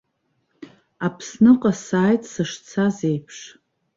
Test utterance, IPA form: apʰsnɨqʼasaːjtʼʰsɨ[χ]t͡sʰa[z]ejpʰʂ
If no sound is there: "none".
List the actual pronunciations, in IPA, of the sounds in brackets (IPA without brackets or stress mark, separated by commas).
ʂ, z